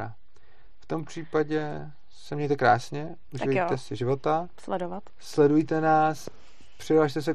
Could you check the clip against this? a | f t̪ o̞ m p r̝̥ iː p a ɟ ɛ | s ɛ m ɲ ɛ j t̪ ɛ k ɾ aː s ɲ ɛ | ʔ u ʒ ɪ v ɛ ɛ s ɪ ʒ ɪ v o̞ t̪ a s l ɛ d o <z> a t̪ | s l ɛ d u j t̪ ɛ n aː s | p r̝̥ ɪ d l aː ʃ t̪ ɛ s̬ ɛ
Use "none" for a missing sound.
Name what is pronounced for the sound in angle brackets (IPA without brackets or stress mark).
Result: v